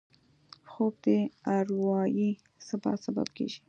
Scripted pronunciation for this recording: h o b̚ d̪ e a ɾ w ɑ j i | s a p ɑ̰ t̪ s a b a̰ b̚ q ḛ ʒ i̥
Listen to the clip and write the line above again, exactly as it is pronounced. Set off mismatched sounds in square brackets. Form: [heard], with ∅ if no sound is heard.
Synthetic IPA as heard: [x] o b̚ d̪ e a ɾ w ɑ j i | s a [b] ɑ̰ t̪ s a b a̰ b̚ [k] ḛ ʒ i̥